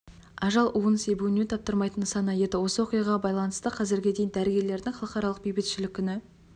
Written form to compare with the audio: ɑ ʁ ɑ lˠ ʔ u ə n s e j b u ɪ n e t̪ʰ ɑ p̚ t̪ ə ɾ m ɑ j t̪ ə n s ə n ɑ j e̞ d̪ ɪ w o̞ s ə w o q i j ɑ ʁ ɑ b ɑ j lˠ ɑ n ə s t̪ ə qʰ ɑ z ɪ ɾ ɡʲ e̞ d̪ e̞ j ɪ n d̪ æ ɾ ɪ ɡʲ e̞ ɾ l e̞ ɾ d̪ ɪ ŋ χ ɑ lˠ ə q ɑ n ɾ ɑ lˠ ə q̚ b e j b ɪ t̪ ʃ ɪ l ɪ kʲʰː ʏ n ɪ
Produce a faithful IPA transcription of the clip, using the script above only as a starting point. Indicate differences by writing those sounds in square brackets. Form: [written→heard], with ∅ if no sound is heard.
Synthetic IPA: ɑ [ʁ→ʒ] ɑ lˠ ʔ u ə n s e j b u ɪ n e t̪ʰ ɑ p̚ t̪ ə ɾ m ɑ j t̪ ə n s [ə→ɑ] n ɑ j e̞ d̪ ɪ w o̞ s ə w o q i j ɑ ʁ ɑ b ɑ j lˠ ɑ n ə s t̪ ə qʰ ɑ z ɪ ɾ ɡʲ e̞ d̪ e̞ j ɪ n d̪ æ ɾ ɪ ɡʲ e̞ ɾ l e̞ ɾ d̪ ɪ ŋ χ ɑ lˠ ə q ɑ [n→∅] ɾ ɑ lˠ ə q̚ b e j b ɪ t̪ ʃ ɪ l ɪ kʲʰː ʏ n ɪ